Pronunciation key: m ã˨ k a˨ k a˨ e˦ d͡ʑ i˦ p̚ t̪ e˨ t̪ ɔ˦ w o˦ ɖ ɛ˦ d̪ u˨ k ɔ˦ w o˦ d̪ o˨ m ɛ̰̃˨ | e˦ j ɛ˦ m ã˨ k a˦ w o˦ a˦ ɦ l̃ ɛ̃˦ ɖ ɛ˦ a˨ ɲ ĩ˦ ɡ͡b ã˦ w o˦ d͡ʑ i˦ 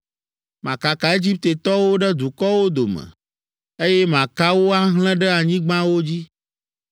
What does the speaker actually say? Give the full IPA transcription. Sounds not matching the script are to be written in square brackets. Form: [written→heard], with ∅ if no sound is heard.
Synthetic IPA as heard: m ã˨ k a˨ k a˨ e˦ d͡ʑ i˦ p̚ t̪ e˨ t̪ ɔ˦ w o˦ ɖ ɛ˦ d̪ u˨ k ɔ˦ w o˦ d̪ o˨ m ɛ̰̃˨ | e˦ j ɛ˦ m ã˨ k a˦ w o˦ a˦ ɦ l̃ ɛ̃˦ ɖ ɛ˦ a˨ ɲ ĩ˦ ɡ͡b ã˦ w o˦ d͡ʑ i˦